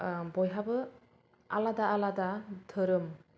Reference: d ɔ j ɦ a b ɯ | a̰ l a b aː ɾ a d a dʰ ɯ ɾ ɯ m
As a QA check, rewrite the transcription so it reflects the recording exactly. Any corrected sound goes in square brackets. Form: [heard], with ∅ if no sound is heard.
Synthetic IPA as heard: [b] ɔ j ɦ a b ɯ | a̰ l a [d] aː [l] a d a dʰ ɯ ɾ ɯ m